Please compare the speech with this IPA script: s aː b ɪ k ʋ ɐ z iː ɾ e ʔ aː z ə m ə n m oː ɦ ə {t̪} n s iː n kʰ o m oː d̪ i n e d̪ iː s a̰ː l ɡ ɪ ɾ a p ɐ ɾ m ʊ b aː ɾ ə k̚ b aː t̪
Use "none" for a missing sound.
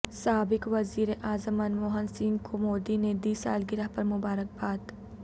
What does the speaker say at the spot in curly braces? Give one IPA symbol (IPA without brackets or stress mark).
none